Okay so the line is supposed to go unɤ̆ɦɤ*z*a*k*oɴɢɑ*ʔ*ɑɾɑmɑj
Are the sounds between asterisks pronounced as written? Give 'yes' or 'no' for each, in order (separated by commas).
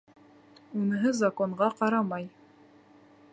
yes, yes, no